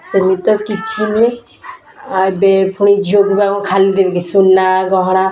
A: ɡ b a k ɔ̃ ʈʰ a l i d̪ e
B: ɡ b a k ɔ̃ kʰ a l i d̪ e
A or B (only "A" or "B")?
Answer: B